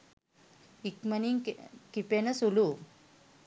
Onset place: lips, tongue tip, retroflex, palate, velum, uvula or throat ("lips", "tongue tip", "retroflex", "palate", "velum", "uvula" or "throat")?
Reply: velum